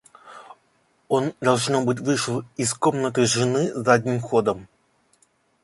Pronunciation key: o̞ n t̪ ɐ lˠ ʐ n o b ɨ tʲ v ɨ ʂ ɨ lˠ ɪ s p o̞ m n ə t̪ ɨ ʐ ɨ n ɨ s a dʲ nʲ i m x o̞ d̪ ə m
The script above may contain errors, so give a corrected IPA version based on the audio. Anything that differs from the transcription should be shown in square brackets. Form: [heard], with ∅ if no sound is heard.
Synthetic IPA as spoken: o̞ n [d̪] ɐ lˠ ʐ n o b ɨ tʲ v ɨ ʂ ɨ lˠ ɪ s [k] o̞ m n ə t̪ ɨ ʐ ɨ n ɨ [z] a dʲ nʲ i m x o̞ d̪ ə m

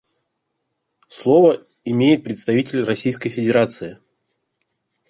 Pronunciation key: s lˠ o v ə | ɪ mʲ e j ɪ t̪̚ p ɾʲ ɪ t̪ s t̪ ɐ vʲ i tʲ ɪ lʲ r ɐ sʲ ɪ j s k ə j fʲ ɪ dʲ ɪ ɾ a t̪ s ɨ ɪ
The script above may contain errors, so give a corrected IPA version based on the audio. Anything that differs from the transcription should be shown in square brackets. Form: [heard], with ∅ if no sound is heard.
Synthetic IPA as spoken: s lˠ o v ə | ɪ mʲ e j ɪ t̪̚ p ɾʲ ɪ t̪ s t̪ ɐ vʲ i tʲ ɪ lʲ r ɐ sʲ [i] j s k ə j fʲ ɪ dʲ ɪ ɾ a t̪ s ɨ ɪ

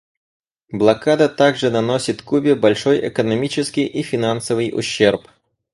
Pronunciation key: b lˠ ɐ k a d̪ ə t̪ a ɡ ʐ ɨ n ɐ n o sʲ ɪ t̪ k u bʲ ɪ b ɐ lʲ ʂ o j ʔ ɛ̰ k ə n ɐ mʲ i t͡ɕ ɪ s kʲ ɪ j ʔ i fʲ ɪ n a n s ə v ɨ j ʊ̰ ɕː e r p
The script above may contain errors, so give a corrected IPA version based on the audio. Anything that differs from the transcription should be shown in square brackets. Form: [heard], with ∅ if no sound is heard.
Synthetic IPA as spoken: b lˠ ɐ k a d̪ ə t̪ a ɡ ʐ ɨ n ɐ n o sʲ ɪ t̪ k u bʲ ɪ b ɐ lʲ ʂ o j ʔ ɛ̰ k ə n ɐ mʲ i t͡ɕ ɪ s kʲ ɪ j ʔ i fʲ ɪ n a n s ə v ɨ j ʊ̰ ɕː e r p

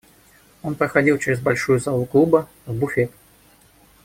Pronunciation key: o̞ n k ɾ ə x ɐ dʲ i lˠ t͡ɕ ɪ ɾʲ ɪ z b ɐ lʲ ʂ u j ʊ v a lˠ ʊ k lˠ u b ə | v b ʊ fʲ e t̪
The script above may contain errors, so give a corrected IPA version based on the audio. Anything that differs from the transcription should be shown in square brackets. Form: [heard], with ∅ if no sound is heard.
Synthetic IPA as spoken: o̞ n [p] ɾ ə x ɐ dʲ i lˠ t͡ɕ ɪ ɾʲ ɪ z b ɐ lʲ ʂ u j ʊ [z] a lˠ ʊ k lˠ u b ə | v b ʊ fʲ e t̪

